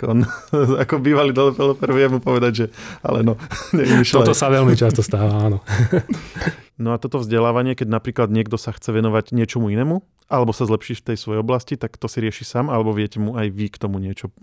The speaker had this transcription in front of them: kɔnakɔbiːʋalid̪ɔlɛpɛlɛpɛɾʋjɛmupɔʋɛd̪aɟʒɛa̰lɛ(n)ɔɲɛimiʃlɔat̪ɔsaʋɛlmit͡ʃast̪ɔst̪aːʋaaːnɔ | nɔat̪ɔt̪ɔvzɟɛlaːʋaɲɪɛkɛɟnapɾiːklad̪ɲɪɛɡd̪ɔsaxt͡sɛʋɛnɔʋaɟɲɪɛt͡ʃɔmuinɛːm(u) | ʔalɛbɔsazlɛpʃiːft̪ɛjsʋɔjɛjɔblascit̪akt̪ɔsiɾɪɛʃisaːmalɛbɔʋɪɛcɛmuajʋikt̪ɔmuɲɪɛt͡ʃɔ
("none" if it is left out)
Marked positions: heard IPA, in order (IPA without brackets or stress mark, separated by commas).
n, u